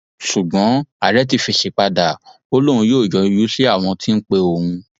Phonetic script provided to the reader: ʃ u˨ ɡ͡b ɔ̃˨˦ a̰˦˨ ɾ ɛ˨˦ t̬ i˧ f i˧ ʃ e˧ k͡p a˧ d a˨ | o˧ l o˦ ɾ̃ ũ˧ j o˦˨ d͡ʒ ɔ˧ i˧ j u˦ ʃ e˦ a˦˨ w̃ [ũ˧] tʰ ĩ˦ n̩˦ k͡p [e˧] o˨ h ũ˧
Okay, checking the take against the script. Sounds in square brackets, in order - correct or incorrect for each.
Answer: incorrect, correct

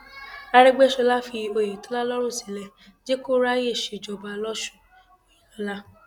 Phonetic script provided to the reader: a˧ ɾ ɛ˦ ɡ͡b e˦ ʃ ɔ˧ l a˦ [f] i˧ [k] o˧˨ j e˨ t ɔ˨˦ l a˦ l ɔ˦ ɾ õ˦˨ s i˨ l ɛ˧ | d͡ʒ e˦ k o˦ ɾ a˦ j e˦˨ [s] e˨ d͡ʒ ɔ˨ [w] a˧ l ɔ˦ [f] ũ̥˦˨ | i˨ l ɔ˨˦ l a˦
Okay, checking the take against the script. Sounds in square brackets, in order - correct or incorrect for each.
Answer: correct, incorrect, incorrect, incorrect, incorrect

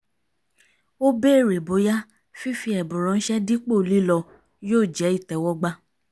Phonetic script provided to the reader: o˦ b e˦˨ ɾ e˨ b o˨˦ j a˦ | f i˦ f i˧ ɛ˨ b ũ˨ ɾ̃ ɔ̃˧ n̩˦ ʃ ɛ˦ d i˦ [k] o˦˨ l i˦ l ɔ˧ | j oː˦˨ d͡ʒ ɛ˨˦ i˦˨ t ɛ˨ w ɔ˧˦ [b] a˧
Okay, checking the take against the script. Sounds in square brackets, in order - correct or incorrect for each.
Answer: incorrect, incorrect

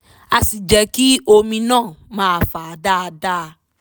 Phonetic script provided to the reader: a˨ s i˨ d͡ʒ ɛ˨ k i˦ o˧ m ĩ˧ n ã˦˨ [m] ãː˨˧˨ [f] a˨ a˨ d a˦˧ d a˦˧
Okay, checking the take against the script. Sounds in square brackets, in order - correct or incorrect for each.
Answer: correct, correct

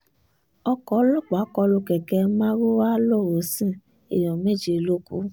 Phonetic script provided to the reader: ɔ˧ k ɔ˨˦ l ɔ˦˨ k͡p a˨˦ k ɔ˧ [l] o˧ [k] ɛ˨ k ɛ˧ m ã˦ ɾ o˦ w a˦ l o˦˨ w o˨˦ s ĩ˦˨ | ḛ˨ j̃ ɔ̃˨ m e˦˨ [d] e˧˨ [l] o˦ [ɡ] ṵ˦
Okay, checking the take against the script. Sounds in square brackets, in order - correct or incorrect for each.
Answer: correct, correct, incorrect, correct, incorrect

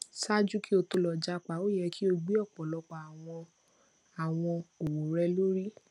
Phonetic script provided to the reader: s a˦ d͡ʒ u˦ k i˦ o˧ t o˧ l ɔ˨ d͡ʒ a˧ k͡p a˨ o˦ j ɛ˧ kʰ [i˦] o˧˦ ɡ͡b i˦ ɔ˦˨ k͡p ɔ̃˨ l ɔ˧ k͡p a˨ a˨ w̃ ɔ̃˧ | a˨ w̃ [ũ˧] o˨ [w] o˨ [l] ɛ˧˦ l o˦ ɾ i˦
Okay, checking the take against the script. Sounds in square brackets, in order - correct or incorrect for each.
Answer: correct, incorrect, correct, incorrect

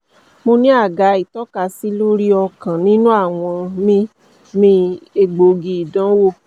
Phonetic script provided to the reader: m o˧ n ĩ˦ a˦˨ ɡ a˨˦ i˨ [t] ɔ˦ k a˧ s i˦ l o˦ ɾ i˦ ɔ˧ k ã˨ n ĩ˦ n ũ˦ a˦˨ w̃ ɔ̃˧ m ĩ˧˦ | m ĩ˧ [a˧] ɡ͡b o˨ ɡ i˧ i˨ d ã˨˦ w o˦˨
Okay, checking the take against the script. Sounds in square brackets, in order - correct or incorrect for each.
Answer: correct, incorrect

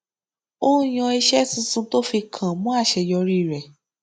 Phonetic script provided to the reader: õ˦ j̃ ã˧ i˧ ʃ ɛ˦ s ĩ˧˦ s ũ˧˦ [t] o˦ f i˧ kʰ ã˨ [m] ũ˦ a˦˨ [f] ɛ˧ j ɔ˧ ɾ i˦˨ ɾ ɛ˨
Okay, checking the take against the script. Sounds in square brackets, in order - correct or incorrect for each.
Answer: correct, correct, incorrect

